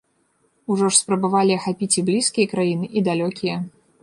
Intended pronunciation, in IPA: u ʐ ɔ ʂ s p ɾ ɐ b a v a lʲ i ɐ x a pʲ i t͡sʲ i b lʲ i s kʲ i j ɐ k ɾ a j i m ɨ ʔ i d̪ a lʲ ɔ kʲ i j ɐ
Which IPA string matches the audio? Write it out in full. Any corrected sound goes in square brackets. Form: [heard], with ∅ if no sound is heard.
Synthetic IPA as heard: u ʐ ɔ ʂ s p ɾ ɐ b a v a lʲ i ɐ x a pʲ i t͡sʲ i b lʲ i s kʲ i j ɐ k ɾ a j i [n] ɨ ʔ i d̪ a lʲ ɔ kʲ i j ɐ